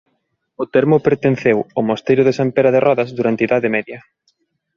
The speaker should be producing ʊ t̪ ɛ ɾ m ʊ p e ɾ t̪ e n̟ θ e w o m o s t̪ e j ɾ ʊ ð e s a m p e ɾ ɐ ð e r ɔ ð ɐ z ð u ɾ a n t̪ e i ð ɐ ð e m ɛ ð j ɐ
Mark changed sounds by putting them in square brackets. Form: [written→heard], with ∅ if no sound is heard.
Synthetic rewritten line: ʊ t̪ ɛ ɾ m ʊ p e ɾ t̪ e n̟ θ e w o m o s t̪ e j ɾ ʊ ð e s a m p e ɾ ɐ ð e r ɔ ð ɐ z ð u ɾ a n t̪ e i ð [ɐ→a] ð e m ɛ ð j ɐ